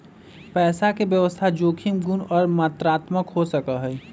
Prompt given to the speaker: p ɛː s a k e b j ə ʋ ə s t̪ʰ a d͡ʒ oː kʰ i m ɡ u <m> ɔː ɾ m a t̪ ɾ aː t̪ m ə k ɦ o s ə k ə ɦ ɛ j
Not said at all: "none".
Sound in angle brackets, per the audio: n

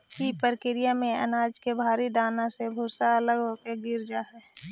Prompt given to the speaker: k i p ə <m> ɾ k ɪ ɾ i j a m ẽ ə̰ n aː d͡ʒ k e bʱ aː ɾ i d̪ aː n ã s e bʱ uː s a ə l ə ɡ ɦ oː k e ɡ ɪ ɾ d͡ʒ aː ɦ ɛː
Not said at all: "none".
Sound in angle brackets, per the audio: none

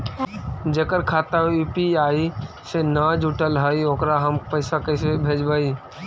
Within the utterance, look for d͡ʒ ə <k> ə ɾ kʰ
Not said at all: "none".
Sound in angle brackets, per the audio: k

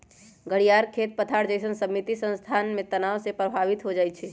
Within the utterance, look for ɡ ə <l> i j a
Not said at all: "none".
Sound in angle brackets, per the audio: ɽ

